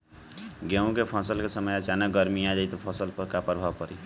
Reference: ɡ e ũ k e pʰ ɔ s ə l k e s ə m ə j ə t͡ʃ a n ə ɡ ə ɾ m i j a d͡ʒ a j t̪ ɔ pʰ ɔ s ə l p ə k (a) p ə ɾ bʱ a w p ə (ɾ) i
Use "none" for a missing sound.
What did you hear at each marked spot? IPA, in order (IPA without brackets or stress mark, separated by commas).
a, ɾ